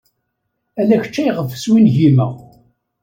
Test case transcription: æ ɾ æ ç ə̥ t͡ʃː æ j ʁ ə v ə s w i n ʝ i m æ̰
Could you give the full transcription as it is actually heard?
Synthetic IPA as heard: æ l æ ç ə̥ t͡ʃː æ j ʁ ə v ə s w i n ʝ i m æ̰